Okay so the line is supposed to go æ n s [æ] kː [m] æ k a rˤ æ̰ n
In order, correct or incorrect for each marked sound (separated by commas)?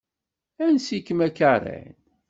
incorrect, correct